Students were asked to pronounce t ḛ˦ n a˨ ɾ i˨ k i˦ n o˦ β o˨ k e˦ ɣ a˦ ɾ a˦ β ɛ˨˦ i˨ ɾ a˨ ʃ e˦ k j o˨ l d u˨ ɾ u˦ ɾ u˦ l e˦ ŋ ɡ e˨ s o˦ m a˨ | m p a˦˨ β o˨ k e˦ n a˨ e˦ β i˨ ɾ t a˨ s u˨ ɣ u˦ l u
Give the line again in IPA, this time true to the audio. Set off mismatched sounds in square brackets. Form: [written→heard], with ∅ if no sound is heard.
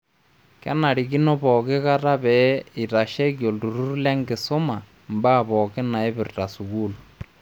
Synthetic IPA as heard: [t→k] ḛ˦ n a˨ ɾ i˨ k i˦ n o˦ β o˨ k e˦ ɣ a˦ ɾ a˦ β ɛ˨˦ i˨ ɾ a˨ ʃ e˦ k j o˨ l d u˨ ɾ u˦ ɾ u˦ l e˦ ŋ ɡ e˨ s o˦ m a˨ | m [p→b] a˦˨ β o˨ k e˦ n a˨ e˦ β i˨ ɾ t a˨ s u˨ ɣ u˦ l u

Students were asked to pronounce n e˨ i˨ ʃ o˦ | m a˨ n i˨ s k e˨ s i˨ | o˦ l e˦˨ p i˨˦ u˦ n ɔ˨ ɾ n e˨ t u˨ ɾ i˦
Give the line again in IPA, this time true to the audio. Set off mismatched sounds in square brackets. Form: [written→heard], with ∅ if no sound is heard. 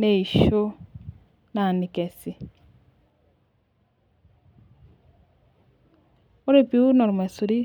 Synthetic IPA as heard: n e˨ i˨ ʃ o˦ | [m→n] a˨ n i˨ [s→∅] k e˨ s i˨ | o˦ [l→ɾ] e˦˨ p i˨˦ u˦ n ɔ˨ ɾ [n→m] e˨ [t→s] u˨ ɾ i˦

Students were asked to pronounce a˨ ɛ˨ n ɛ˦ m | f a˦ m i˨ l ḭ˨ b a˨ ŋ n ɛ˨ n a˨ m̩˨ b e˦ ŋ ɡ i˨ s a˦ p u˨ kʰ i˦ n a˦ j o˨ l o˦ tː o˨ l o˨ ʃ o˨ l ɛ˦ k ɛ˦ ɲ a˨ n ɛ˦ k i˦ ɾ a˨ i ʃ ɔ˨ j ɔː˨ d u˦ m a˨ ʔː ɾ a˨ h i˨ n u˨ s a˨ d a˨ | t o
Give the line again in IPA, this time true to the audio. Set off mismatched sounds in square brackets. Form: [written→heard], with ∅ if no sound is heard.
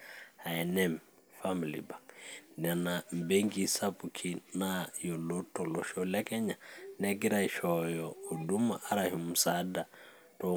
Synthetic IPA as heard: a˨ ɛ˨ n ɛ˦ m | f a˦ m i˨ l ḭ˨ b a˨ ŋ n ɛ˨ n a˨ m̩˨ b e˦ ŋ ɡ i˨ s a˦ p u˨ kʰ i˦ n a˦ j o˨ l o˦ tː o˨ l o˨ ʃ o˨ l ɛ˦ k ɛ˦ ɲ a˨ n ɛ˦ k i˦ ɾ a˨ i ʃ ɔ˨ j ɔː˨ d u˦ m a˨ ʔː ɾ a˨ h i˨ [n→m] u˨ s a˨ d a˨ | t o

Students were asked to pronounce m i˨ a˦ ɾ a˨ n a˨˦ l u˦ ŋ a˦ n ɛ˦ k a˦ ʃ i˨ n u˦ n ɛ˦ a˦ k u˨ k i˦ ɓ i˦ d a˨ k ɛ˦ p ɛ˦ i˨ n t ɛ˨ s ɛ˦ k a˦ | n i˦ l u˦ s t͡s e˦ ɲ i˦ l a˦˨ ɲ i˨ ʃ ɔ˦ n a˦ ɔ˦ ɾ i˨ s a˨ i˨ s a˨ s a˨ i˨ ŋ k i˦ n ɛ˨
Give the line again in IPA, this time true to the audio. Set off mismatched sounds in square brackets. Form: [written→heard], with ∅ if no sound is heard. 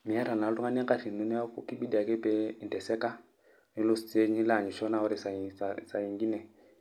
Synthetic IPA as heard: m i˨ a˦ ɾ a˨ n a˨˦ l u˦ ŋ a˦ n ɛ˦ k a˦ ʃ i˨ n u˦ n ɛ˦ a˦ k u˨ k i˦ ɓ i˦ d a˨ k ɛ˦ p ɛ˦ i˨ n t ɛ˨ s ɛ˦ k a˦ | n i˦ l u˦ s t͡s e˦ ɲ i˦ l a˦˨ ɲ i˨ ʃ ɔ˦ n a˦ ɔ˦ ɾ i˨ s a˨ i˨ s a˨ s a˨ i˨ ŋ [k→ɡ] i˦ n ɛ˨

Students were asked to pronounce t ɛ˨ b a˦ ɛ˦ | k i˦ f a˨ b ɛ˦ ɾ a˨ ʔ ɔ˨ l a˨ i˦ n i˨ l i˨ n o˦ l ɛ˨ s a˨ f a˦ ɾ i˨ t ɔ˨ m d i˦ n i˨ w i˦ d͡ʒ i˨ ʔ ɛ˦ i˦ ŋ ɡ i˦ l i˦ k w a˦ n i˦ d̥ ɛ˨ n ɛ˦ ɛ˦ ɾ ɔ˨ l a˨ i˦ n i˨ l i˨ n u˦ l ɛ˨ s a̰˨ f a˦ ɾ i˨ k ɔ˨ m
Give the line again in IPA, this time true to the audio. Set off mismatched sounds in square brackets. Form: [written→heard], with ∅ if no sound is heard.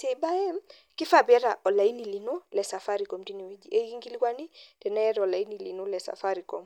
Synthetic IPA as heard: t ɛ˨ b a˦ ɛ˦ | k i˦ f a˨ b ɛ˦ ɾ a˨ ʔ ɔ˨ l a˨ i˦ n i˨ l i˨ n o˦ l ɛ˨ s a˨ f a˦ ɾ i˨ [t→k] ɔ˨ m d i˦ n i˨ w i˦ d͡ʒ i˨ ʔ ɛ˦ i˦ ŋ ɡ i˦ l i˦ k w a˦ n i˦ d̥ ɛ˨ n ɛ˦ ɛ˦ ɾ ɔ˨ l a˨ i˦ n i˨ l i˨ n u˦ l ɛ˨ s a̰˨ f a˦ ɾ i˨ k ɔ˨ m

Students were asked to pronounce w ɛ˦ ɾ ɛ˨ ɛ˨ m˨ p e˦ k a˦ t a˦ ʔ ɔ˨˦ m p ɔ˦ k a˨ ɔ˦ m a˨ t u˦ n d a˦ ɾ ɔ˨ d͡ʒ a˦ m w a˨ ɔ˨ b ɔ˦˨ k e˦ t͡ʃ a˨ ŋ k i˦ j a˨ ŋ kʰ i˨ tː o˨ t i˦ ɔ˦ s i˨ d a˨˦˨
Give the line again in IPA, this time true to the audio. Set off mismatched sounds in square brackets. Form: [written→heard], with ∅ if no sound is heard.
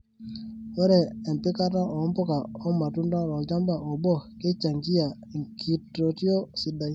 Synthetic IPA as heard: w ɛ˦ ɾ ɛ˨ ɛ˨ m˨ p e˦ k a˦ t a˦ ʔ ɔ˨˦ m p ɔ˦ k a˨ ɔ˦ m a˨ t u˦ n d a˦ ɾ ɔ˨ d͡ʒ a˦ m [w→b] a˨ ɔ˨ b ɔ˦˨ k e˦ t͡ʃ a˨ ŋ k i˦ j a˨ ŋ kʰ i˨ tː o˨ t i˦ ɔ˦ s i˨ d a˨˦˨

